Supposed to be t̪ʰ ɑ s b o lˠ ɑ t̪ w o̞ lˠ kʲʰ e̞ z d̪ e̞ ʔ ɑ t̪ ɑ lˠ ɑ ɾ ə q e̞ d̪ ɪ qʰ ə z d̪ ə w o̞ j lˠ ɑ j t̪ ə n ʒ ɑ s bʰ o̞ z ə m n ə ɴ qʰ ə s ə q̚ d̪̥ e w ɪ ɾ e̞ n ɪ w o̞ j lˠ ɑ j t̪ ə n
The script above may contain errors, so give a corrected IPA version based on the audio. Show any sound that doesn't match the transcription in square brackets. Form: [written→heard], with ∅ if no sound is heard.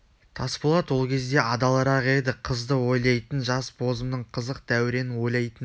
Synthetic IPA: t̪ʰ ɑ s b o lˠ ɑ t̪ w o̞ lˠ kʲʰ e̞ z d̪ e̞ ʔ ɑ [t̪→d̪] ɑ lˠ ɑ ɾ [ə→ɑ] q e̞ d̪ ɪ qʰ ə z d̪ ə w o̞ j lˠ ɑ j t̪ ə n ʒ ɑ s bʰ o̞ z ə m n ə ɴ qʰ ə [s→z] ə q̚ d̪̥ [e→æ] w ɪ ɾ e̞ n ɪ w o̞ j lˠ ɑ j t̪ ə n